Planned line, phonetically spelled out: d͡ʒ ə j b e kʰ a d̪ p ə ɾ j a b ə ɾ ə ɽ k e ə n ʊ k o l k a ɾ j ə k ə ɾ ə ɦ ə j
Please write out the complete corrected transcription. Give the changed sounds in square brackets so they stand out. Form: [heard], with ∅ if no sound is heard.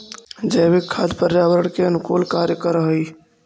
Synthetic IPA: d͡ʒ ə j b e kʰ a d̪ p ə ɾ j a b ə ɾ ə ɽ k e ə n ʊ k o l k a ɾ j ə k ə ɾ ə ɦ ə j